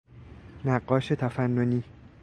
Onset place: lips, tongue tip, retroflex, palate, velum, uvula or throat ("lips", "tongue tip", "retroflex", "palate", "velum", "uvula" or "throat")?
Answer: tongue tip